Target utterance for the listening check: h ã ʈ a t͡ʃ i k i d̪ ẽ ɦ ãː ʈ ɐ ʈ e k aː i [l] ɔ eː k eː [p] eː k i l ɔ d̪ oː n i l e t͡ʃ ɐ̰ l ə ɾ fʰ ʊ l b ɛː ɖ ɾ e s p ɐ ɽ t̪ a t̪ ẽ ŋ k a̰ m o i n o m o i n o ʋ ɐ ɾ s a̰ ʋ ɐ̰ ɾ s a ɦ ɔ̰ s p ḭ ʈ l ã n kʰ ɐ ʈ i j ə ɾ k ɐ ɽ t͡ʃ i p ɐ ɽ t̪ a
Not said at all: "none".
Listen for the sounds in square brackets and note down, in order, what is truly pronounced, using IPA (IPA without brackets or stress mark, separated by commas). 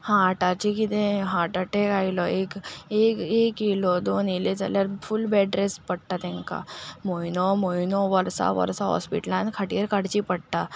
l, k